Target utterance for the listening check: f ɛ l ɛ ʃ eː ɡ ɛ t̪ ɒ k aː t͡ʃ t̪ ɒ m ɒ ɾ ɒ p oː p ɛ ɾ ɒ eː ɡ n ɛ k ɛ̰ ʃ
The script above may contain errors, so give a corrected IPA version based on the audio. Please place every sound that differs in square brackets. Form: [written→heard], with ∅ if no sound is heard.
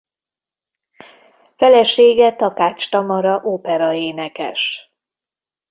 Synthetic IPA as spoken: f ɛ l ɛ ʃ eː ɡ ɛ t̪ ɒ k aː t͡ʃ t̪ ɒ m ɒ ɾ ɒ [p→ʔ] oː p ɛ ɾ ɒ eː [ɡ→∅] n ɛ k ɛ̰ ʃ